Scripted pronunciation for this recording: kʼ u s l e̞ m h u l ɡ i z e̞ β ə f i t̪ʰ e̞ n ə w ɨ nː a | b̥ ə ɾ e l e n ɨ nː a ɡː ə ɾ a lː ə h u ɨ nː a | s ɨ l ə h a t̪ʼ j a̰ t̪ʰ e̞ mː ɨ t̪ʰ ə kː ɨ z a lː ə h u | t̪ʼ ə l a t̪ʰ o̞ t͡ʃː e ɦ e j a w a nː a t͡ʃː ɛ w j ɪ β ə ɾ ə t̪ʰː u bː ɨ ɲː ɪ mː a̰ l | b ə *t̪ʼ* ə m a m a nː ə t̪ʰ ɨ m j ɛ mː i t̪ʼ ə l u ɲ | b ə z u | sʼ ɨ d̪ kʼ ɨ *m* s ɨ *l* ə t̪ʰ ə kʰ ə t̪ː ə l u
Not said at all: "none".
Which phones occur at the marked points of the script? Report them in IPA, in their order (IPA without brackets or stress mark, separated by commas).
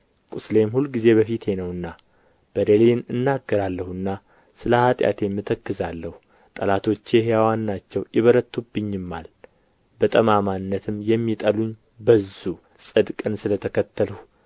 t̪ʼ, n, l